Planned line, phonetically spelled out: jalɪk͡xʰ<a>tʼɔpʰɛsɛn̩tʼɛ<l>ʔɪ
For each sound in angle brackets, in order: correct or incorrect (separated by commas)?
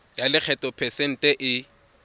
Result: incorrect, incorrect